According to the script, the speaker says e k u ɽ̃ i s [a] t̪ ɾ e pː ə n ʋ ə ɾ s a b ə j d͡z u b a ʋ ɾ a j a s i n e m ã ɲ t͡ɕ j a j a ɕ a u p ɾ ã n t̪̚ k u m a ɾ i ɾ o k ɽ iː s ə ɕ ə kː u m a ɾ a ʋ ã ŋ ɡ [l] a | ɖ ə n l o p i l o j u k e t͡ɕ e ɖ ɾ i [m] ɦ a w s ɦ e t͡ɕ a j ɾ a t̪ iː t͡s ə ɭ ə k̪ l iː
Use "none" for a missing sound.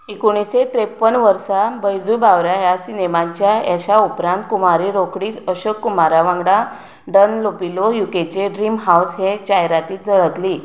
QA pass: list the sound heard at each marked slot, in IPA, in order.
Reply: e, ɽ, m

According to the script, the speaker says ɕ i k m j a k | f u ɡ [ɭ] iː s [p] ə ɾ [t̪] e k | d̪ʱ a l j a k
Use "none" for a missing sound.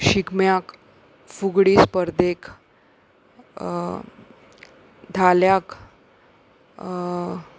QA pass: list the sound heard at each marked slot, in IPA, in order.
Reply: ɽ, p, d̪

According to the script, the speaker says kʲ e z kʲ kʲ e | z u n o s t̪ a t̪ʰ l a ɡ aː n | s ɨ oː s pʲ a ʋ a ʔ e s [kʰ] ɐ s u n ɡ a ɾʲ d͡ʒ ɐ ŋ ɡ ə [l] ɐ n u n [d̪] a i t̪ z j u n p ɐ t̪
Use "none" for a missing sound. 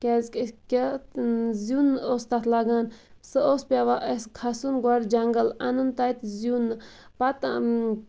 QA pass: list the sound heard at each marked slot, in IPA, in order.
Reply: kʰ, l, t̪

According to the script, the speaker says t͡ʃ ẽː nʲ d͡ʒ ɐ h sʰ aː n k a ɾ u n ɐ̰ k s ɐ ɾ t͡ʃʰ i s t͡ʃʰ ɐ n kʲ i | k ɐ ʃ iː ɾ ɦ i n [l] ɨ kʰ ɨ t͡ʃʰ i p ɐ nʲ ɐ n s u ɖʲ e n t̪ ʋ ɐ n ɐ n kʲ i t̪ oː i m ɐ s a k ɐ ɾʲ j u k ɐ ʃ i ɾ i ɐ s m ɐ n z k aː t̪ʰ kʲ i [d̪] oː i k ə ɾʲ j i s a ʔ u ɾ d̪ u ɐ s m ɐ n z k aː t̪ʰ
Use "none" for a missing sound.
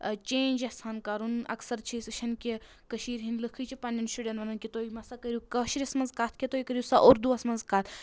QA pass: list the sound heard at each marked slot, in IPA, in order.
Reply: l, t̪

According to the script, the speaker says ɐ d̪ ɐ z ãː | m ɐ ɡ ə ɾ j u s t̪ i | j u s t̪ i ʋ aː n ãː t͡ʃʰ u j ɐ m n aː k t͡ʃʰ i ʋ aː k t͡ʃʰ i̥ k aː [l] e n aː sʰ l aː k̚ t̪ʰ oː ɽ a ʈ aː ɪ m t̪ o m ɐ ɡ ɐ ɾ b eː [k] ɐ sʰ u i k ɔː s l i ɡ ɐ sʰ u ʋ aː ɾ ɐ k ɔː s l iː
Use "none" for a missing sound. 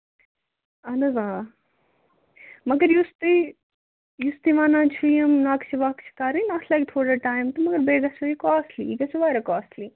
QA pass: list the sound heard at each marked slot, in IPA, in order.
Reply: ɾ, ɡ

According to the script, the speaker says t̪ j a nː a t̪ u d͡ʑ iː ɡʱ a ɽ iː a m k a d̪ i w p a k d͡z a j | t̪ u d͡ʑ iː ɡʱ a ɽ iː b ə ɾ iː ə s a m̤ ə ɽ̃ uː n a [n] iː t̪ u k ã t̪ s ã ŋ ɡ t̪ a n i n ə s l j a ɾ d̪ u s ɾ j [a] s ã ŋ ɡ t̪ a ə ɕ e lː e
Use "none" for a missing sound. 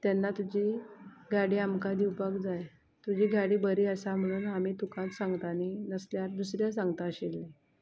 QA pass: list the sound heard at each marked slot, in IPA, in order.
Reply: m, a

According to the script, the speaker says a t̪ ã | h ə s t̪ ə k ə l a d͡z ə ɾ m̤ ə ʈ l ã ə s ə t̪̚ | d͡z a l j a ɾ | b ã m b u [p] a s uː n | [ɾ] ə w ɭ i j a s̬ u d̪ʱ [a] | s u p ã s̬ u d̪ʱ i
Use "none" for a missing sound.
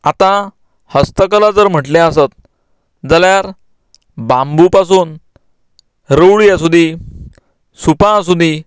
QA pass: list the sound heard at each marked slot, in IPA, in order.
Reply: p, ɾ, i

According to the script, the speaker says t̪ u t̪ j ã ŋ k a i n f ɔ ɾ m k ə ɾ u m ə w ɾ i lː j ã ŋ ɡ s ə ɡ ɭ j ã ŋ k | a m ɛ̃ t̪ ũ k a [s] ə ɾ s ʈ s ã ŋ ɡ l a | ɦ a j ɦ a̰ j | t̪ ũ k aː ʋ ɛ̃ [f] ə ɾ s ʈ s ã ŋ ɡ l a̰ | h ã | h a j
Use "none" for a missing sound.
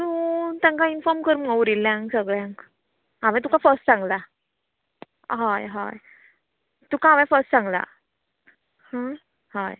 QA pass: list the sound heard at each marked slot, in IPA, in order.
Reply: f, f

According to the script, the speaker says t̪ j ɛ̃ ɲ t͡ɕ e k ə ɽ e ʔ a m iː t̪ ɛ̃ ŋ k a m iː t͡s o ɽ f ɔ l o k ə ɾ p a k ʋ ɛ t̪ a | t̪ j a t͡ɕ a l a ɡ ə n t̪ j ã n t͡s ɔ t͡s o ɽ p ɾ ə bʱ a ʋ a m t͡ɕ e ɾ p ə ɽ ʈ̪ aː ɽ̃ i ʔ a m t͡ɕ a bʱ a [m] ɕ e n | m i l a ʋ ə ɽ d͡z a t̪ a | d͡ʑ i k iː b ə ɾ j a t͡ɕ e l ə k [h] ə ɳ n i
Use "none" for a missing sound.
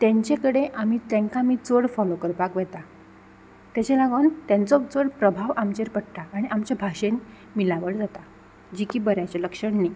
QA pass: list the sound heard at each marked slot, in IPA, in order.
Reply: none, ʂ

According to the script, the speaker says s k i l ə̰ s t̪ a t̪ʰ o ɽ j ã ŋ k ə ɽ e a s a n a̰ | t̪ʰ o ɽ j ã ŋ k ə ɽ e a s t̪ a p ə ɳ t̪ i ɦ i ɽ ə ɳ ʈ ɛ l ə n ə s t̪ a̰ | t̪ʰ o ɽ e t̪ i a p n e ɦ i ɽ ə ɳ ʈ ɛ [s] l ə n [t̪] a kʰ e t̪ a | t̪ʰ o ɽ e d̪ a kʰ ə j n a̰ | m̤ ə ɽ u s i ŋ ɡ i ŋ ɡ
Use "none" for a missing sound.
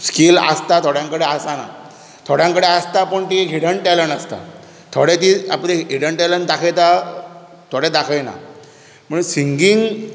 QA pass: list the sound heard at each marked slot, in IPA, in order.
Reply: none, d̪

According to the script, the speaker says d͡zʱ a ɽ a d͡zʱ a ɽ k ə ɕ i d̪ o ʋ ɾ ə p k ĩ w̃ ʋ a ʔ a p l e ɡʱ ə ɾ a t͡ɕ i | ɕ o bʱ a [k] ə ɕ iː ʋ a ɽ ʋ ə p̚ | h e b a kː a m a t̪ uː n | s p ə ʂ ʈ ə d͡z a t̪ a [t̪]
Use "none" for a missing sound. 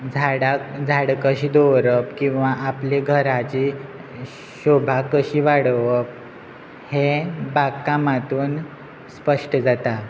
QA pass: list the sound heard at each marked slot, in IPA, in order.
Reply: k, none

